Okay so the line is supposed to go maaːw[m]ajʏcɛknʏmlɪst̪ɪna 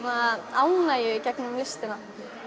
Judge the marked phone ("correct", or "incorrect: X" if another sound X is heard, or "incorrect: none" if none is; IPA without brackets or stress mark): incorrect: n